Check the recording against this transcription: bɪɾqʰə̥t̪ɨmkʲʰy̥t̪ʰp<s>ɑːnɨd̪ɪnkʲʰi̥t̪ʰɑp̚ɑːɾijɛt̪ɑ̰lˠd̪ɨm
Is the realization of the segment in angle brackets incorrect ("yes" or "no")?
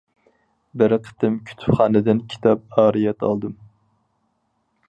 yes